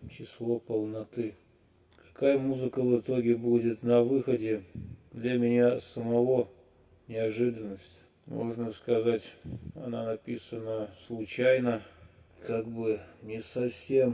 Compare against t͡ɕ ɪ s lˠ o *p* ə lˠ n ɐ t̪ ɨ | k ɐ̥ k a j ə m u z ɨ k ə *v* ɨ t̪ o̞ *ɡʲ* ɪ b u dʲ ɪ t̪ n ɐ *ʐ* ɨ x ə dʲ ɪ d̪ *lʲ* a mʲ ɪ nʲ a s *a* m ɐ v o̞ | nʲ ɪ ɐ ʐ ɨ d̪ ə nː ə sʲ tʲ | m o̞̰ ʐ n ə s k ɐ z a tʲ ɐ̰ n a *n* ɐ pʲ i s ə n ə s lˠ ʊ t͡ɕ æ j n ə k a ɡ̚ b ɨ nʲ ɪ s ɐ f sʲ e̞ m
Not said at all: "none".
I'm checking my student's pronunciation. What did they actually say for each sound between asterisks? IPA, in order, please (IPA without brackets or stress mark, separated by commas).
p, v, ɡʲ, v, lʲ, ə, n